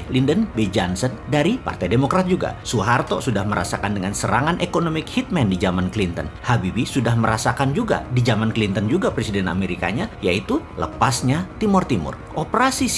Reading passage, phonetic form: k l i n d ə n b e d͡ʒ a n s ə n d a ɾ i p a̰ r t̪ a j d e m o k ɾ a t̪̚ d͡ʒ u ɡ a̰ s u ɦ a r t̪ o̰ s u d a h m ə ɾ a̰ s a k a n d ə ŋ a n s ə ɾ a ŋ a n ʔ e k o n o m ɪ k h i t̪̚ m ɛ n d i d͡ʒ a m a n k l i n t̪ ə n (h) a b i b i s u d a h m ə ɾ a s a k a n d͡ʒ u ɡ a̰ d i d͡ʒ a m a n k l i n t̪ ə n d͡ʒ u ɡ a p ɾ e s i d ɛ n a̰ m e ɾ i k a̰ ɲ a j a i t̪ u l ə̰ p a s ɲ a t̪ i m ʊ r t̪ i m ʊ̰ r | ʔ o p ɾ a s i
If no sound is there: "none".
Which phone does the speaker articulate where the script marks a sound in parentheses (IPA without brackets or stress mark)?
h